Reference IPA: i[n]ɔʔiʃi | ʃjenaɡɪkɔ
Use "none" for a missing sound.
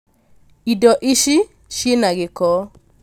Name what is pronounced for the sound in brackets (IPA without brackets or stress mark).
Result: d